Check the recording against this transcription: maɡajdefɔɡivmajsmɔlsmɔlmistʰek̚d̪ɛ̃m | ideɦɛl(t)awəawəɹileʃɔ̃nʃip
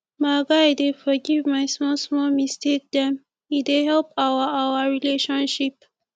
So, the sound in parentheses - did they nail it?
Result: no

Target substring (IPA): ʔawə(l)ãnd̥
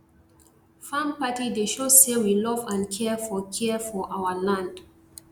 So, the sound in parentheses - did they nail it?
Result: yes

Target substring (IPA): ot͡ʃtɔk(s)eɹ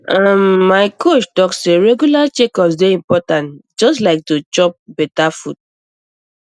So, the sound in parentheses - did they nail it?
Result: yes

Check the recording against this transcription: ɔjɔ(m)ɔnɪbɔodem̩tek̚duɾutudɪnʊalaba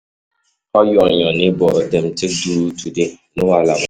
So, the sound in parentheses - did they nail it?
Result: no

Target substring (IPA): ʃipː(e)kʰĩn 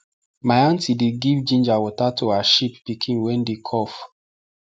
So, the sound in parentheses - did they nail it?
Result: no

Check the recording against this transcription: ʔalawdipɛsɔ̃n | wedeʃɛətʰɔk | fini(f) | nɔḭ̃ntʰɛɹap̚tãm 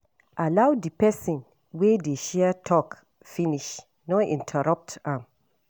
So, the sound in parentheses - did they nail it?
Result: no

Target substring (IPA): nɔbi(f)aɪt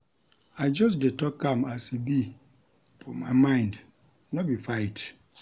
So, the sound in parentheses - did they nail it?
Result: yes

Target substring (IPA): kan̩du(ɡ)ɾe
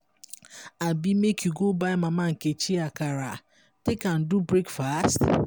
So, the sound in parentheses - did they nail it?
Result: no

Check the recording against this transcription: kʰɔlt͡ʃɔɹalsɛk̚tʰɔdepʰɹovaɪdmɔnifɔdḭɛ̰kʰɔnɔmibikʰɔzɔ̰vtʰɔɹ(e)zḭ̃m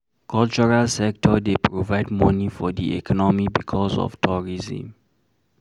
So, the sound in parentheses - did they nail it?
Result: no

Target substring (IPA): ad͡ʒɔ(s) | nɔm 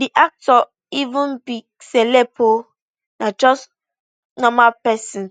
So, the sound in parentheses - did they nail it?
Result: yes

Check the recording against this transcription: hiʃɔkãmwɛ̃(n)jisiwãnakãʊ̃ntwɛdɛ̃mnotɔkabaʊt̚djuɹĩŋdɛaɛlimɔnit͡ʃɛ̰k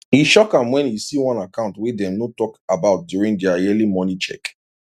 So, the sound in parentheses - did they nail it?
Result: yes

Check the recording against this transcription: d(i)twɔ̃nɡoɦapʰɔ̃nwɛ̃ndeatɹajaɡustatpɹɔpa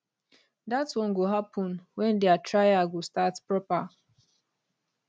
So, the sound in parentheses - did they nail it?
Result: no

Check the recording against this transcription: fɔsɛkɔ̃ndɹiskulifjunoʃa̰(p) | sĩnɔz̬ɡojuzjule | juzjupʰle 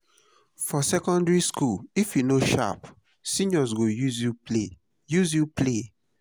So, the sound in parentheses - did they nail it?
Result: yes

